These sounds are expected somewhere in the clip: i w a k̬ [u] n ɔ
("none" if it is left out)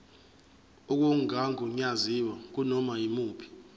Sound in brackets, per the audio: u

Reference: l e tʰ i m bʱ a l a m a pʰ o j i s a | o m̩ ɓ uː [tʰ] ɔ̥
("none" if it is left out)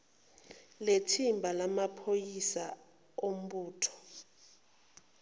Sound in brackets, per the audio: tʰ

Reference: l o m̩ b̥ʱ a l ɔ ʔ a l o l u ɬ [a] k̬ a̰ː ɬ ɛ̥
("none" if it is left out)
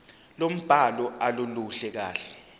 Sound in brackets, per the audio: ɛ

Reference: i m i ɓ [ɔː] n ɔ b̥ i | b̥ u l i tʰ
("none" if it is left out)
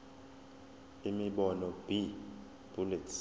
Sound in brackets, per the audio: ɔ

